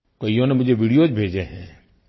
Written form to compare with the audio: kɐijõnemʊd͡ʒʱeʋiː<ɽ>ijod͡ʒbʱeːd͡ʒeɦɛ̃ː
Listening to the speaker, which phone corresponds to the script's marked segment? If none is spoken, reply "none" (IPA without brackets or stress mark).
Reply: ɽ